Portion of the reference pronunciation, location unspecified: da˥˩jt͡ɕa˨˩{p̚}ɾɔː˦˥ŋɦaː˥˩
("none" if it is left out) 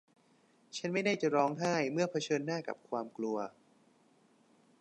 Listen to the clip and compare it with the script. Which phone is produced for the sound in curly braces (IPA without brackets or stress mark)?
none